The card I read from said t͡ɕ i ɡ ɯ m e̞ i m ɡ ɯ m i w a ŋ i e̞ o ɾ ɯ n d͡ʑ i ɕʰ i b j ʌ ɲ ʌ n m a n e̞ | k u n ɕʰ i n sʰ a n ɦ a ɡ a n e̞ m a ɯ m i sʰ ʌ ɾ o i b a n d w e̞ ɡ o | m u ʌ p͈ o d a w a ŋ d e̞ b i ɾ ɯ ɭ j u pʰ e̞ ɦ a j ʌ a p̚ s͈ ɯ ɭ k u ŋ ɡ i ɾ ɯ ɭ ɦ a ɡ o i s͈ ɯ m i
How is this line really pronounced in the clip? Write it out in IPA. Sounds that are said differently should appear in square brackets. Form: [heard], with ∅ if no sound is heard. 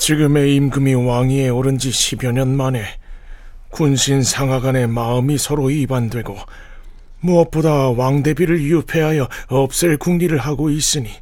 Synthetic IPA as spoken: t͡ɕ i ɡ ɯ m e̞ i m ɡ ɯ m i w a ŋ i e̞ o ɾ ɯ n d͡ʑ i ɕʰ i b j ʌ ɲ ʌ n m a n e̞ | k u n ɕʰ i n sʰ a [ŋ] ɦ a ɡ a n e̞ m a ɯ m i sʰ ʌ ɾ o i b a n d w e̞ ɡ o | m u ʌ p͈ o d a w a ŋ d e̞ b i ɾ ɯ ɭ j u pʰ e̞ ɦ a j ʌ [ʌ] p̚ s͈ ɯ ɭ k u ŋ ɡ i ɾ ɯ ɭ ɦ a ɡ o i s͈ ɯ [ɲ] i